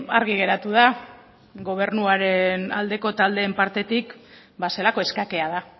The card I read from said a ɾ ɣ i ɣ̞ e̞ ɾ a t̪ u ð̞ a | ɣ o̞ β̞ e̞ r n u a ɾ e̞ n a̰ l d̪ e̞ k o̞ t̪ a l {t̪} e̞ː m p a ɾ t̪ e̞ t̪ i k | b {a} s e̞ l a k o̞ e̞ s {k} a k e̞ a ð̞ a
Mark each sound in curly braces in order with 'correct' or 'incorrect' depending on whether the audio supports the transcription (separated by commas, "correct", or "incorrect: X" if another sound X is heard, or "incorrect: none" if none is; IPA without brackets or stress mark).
incorrect: d̪, correct, correct